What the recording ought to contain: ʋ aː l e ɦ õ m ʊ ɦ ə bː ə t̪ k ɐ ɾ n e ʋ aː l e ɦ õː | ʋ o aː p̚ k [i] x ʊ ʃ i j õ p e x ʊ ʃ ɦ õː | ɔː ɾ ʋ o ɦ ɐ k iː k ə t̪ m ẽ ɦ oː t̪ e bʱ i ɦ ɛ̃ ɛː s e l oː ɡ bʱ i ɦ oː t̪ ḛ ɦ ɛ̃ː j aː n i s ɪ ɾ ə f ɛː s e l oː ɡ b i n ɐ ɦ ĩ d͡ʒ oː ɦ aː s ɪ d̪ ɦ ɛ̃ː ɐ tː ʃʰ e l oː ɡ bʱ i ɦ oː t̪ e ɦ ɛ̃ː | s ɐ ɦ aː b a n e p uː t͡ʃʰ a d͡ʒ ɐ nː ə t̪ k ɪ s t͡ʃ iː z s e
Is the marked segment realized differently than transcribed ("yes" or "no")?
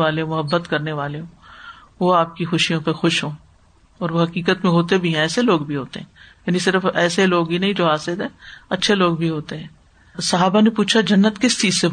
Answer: no